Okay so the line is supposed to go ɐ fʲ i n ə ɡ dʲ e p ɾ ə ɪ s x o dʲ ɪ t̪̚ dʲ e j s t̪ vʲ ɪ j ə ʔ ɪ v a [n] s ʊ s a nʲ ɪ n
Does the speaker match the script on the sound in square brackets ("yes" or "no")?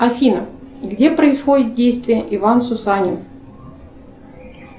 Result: yes